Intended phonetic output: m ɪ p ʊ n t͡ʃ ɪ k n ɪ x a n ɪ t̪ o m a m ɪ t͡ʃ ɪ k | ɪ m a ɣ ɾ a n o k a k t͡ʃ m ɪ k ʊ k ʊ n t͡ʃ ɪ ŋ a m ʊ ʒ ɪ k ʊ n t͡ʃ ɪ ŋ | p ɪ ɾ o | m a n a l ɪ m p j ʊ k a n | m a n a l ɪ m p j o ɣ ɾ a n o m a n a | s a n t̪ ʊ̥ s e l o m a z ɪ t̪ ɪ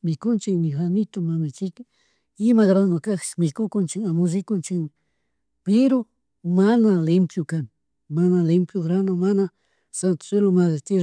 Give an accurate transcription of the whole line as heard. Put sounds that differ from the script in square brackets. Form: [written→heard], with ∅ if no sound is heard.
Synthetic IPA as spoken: m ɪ [p→k] ʊ n t͡ʃ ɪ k n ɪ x a n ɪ t̪ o m a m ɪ t͡ʃ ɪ k | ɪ m a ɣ ɾ a n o k a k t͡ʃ m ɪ k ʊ k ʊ n t͡ʃ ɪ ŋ a m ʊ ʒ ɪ k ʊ n t͡ʃ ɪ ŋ | p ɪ ɾ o | m a n a l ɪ m p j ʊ k a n | m a n a l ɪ m p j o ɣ ɾ a n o m a n a | s a n t̪ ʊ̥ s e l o m a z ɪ t̪ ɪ

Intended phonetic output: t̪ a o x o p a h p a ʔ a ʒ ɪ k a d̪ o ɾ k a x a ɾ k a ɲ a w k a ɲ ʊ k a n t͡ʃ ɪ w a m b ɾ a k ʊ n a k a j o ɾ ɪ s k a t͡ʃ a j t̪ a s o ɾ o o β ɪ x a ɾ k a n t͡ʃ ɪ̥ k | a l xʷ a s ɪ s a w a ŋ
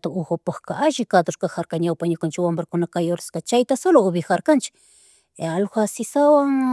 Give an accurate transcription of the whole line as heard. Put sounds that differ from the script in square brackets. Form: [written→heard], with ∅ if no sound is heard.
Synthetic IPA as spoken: t̪ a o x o p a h [p→k] a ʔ a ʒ ɪ k a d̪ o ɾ k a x a ɾ k a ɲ a w [k→p] a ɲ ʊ k a n t͡ʃ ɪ w a m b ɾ a k ʊ n a k a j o ɾ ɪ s k a t͡ʃ a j t̪ a s o [ɾ→l] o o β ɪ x a ɾ k a n t͡ʃ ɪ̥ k | a l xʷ a s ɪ s a w a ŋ

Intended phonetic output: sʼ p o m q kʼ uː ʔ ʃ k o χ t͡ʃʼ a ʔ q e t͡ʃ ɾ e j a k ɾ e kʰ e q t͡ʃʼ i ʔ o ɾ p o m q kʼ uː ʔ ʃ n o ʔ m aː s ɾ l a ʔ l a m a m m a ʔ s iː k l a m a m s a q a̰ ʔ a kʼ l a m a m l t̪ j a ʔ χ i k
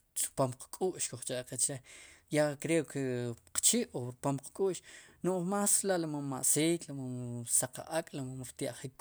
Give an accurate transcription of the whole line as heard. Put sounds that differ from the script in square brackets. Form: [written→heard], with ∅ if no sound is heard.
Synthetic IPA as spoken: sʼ p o m q kʼ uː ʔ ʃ k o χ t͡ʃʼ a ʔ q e t͡ʃ ɾ e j a k ɾ e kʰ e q [t͡ʃʼ→t͡ʃ] i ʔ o ɾ p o m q kʼ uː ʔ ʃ n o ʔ m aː s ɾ l a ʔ l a m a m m a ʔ s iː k l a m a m s a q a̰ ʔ a kʼ l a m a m [l→ɾ] t̪ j a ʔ χ i k

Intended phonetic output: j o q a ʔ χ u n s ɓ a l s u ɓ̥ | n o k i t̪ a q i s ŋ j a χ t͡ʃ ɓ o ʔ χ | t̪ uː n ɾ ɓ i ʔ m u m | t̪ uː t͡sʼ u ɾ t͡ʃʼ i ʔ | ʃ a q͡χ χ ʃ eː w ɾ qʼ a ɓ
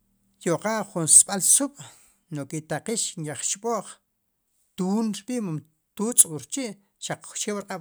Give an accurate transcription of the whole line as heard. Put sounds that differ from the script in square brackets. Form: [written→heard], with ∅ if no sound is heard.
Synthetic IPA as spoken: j o q a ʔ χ u n s ɓ a l s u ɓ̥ | n o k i t̪ a q i [s→ʃ] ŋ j a χ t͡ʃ ɓ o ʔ χ | t̪ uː n ɾ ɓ i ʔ m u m | t̪ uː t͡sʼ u ɾ [t͡ʃʼ→t͡ʃ] i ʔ | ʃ a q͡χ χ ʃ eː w ɾ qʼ a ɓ

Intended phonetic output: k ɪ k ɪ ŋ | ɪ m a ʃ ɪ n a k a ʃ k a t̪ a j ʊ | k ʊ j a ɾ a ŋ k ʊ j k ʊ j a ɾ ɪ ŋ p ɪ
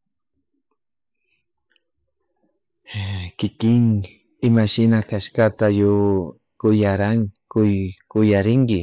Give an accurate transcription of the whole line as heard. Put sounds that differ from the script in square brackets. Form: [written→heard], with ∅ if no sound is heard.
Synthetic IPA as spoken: k ɪ k ɪ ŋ | ɪ m a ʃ ɪ n a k a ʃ k a t̪ a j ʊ | k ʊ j a ɾ a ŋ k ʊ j k ʊ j a ɾ ɪ ŋ [p→k] ɪ

